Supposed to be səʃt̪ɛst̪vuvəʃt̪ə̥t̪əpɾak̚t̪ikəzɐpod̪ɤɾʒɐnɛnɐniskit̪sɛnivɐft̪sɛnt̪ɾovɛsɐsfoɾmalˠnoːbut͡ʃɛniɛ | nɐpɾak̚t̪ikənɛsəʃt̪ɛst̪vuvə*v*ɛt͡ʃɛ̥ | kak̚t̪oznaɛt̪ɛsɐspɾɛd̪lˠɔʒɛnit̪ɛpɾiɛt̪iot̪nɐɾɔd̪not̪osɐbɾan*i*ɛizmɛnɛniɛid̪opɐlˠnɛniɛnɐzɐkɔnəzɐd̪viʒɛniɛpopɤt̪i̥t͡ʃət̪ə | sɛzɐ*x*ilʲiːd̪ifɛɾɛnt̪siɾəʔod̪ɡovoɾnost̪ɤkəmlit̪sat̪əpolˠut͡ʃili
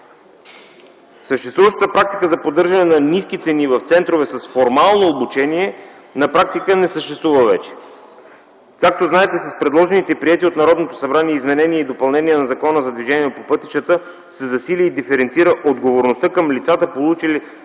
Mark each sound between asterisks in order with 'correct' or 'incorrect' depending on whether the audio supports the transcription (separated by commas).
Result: correct, correct, incorrect